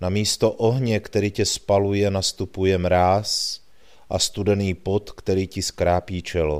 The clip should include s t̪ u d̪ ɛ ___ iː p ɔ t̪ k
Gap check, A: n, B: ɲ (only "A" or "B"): A